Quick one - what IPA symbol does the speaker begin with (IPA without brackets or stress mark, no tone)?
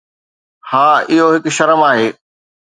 h